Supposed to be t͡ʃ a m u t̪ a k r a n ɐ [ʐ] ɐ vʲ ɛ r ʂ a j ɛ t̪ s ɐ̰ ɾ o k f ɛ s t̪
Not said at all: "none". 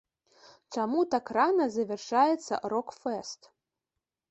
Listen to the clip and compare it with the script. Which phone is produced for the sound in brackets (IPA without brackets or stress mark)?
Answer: z